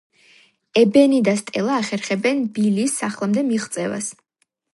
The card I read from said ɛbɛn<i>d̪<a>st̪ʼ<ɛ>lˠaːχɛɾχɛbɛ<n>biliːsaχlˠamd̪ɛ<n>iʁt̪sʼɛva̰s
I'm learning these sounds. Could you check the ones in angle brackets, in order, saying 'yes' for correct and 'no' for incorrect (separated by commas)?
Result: yes, yes, yes, yes, no